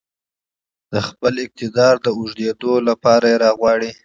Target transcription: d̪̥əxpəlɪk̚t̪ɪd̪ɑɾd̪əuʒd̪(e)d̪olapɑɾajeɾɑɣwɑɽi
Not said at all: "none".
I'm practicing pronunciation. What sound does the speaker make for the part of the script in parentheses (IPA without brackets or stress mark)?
e